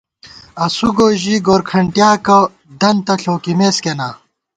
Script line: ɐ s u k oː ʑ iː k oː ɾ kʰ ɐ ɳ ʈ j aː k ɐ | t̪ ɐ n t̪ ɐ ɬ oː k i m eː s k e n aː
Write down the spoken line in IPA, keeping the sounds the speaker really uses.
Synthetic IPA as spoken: ɐ s u ɡ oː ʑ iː ɡ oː ɾ kʰ ɐ ɳ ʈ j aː k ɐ | d̪ ɐ n t̪ ɐ ɬ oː k i m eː s k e n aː